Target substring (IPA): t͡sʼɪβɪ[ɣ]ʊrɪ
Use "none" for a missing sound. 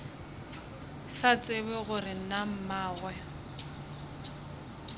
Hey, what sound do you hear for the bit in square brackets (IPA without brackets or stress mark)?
ɣ